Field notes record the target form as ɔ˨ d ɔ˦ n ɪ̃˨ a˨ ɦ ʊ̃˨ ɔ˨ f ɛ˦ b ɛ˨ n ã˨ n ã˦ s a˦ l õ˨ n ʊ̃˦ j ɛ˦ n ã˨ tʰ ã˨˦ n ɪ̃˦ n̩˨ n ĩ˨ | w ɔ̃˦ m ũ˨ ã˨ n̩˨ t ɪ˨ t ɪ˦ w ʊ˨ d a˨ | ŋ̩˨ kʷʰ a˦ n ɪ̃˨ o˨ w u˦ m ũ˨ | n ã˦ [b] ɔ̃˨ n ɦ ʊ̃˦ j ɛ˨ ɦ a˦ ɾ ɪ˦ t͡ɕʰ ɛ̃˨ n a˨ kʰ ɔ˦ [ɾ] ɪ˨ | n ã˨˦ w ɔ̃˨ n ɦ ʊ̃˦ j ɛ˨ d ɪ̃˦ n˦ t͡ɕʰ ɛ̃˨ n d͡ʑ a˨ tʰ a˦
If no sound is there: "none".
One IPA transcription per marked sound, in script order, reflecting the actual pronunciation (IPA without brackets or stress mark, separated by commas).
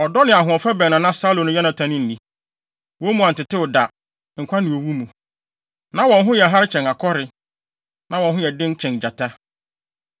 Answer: w, ɾ